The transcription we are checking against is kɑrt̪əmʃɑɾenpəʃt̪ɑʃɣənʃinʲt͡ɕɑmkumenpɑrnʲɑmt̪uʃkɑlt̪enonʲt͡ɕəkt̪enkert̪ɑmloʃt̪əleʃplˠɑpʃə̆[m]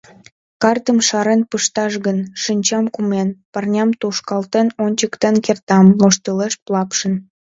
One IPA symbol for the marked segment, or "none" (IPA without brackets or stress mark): n